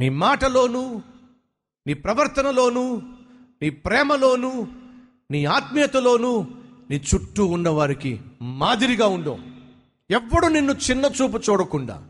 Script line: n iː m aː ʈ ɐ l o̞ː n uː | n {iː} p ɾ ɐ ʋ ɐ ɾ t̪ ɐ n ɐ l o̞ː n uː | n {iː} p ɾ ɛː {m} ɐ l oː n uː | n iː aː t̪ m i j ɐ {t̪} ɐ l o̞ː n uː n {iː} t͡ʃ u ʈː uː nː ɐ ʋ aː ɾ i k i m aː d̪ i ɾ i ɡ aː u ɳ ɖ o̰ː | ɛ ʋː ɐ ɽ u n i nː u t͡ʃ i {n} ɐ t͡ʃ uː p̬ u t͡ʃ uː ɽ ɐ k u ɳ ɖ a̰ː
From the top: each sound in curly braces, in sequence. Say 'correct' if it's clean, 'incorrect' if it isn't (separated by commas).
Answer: correct, correct, correct, correct, correct, incorrect